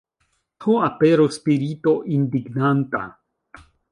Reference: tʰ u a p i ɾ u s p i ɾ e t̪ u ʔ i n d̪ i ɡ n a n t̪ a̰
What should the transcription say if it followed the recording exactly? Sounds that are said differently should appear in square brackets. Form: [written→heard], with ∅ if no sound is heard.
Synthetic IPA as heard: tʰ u a p [i→e] ɾ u s p i ɾ [e→i] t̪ [u→o] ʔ i n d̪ i ɡ n a n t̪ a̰